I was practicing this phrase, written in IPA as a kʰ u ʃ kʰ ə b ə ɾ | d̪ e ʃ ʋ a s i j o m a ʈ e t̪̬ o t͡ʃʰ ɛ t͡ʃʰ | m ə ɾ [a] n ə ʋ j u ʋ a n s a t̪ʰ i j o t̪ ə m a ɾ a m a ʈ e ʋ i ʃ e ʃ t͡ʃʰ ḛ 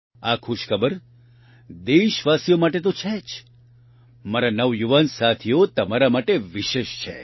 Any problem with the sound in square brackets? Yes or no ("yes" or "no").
no